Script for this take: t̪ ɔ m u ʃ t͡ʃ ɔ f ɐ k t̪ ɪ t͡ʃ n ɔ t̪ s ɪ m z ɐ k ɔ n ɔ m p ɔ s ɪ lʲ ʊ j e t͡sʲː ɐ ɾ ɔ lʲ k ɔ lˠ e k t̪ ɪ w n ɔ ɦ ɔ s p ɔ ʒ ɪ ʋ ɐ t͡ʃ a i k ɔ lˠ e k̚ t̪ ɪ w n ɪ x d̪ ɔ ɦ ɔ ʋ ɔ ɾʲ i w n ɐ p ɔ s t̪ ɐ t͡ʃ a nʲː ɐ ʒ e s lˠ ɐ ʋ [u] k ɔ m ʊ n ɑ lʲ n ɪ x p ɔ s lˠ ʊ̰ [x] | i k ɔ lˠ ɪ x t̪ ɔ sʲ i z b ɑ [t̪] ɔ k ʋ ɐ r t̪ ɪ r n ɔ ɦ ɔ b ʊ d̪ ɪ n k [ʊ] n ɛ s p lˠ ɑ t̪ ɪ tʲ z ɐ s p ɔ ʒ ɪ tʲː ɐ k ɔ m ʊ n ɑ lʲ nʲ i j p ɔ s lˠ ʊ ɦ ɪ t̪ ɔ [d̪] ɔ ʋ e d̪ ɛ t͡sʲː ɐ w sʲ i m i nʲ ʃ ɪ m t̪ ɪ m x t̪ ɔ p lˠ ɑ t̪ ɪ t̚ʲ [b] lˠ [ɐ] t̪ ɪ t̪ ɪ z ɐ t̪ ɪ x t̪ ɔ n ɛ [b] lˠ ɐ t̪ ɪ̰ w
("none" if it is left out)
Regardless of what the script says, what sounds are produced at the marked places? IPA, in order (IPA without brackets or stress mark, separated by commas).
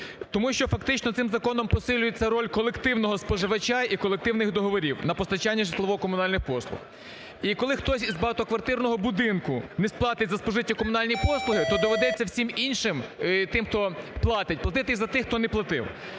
ɔ, x, t̪, ʊ, d̪, p, ɐ, p